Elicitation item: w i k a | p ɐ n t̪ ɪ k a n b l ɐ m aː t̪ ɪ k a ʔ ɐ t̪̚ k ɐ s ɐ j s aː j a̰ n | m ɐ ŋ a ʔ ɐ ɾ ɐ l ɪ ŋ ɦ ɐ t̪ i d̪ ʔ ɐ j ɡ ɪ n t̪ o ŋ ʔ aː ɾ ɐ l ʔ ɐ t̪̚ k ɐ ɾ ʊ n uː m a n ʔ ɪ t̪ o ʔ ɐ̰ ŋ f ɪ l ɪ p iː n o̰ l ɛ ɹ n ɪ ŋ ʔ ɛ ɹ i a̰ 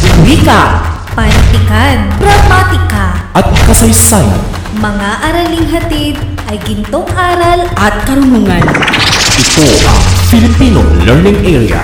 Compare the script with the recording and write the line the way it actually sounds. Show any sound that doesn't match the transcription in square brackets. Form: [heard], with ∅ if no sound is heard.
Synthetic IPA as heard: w i k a | p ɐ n t̪ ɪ k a n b [ɾ] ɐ m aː t̪ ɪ k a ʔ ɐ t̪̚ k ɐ s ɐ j s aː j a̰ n | m ɐ ŋ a ʔ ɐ ɾ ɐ l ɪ ŋ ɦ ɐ t̪ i d̪ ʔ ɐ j ɡ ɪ n t̪ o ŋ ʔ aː ɾ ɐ l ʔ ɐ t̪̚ k ɐ ɾ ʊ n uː [ŋ] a n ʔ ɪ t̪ o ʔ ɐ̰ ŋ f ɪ l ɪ p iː n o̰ l ɛ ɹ n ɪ ŋ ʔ ɛ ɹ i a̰